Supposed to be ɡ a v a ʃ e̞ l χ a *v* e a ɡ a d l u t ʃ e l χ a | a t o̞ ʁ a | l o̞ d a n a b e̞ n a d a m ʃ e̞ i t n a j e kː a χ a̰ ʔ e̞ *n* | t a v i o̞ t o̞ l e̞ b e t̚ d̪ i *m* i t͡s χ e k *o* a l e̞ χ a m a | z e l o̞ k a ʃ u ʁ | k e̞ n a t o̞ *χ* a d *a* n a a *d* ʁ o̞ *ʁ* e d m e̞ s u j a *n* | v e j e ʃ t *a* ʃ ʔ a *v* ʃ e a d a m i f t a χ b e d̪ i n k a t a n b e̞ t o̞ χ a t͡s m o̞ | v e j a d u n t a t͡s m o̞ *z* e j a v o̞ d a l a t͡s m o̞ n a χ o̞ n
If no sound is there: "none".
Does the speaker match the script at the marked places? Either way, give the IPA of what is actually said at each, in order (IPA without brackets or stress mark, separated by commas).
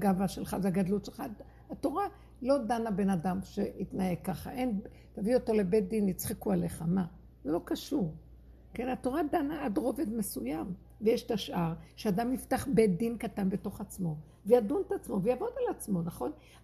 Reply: v, n, n, u, ʁ, a, d, v, m, a, ʁ, v